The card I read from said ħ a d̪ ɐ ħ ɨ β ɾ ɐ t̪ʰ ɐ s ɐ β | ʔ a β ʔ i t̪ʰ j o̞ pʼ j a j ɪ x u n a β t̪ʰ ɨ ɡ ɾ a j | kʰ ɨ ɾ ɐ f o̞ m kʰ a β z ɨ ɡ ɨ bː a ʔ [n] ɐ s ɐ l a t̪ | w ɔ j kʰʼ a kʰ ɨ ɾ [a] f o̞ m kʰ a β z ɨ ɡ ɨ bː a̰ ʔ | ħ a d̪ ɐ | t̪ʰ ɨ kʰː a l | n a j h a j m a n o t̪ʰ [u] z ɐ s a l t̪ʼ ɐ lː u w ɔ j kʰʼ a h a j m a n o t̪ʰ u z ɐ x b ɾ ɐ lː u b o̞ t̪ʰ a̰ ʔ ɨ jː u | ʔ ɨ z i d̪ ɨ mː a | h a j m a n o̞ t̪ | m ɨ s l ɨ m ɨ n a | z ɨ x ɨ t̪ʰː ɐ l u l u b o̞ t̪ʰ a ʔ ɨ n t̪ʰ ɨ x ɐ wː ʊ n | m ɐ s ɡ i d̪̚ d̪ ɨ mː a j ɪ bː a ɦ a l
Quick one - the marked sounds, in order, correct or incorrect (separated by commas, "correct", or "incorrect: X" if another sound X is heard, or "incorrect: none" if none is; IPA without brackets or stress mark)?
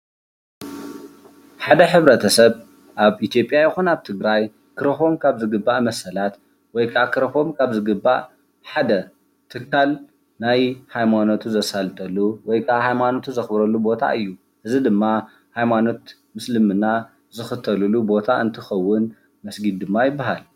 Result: incorrect: m, incorrect: ɐ, correct